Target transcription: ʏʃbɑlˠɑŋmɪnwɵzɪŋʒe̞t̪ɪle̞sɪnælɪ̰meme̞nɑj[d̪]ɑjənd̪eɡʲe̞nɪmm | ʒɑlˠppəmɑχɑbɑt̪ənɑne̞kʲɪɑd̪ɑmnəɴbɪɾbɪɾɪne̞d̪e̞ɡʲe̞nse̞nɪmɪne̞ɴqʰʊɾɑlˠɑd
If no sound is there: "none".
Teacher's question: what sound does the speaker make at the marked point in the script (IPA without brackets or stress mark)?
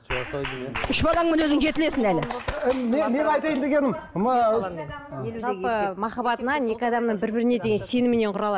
t̪